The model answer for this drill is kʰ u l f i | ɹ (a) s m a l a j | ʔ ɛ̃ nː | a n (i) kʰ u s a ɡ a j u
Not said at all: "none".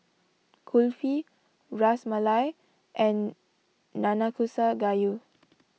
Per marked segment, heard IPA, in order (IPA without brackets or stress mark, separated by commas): a, a